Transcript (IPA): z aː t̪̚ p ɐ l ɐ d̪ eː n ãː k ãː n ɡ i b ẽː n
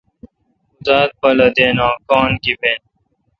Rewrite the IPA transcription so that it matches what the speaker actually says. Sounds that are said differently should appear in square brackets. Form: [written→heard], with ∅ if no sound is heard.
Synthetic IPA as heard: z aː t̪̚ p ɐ l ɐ d̪ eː n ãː k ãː n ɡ i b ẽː n